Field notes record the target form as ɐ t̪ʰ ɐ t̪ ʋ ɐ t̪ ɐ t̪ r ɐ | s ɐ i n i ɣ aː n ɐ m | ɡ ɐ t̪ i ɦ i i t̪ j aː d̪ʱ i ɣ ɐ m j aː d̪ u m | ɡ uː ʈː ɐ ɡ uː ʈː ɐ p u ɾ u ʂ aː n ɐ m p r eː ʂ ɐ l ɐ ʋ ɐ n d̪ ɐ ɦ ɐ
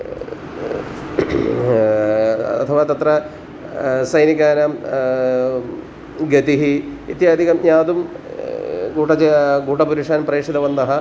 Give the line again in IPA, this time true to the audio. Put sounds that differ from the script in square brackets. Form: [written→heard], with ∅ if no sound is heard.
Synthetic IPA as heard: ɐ t̪ʰ ɐ [t̪→∅] ʋ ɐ t̪ ɐ t̪ r ɐ | s ɐ [i→j] n i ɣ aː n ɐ m | ɡ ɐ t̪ i ɦ i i t̪ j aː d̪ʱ i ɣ ɐ m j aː d̪ u m | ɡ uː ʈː ɐ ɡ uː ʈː ɐ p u ɾ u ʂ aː n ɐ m p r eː ʂ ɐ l ɐ ʋ ɐ n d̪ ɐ ɦ ɐ